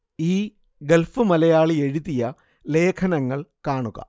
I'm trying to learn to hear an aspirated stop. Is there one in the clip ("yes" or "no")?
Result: yes